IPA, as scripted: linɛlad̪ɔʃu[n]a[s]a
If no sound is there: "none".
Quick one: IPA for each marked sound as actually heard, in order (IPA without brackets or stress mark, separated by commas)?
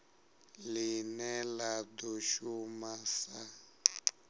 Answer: m, s